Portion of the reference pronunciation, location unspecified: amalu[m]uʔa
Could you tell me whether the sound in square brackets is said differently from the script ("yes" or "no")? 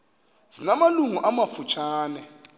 yes